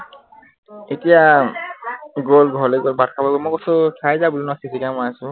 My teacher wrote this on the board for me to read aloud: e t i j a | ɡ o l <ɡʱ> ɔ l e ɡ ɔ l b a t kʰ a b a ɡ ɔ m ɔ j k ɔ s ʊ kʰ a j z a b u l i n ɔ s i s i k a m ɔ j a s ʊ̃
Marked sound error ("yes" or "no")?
no